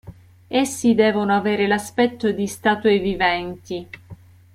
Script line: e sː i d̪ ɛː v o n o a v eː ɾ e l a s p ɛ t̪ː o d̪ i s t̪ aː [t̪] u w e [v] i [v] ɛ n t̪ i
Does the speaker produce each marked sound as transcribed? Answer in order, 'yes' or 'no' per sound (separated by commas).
yes, yes, yes